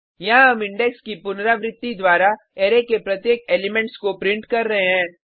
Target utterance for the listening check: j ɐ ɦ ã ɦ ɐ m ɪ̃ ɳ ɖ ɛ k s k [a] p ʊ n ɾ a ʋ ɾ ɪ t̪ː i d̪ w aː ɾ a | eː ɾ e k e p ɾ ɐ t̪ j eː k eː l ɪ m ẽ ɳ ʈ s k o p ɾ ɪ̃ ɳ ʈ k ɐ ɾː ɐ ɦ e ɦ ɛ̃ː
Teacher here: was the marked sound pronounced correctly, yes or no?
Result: no